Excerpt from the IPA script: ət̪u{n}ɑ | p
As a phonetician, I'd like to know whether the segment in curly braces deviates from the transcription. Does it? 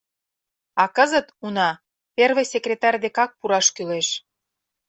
no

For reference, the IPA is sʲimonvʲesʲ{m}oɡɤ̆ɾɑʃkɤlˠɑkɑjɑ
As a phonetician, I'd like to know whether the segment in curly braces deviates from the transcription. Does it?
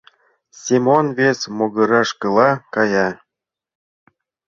no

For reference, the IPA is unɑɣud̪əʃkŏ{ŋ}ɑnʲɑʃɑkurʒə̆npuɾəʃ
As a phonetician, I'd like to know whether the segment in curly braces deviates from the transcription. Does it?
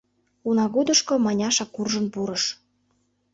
yes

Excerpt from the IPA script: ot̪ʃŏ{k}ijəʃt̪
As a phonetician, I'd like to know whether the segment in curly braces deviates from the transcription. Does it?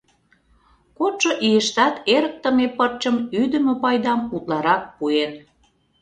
yes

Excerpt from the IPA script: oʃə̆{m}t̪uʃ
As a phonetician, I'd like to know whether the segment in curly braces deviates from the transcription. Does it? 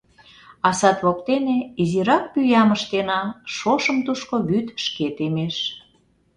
no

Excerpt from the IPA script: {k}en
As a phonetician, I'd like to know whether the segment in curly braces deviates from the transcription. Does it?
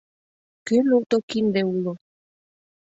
no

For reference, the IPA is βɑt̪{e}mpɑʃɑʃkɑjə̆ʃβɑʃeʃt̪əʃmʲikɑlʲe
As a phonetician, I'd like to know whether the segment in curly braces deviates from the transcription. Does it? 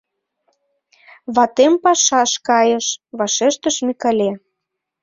no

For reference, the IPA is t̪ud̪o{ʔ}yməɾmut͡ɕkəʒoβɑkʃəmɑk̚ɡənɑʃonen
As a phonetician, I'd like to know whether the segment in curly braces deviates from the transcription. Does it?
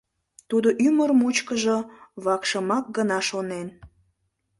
no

